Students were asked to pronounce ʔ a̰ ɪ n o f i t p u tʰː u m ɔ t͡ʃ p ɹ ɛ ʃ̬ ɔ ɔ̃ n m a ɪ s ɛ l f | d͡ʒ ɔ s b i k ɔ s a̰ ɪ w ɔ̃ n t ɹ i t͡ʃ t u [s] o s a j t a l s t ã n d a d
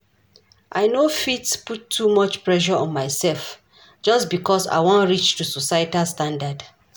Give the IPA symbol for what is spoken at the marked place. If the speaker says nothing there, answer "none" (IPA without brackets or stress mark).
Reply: s